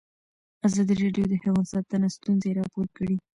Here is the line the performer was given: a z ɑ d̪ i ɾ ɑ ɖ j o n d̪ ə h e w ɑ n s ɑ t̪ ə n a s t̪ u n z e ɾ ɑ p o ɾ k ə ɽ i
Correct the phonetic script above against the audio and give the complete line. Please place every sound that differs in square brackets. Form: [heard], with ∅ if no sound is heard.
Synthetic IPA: a z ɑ d̪ i ɾ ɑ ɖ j o [∅] d̪ ə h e w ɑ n s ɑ t̪ ə n a s t̪ u n z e ɾ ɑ p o ɾ k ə ɽ i